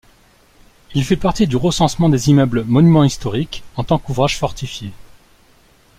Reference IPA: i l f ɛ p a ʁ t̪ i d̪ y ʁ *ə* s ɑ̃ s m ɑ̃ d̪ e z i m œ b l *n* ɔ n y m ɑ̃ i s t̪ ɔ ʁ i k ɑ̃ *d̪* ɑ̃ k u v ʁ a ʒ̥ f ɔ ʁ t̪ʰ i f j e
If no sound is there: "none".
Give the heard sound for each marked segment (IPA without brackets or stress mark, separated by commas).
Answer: ə, m, t̪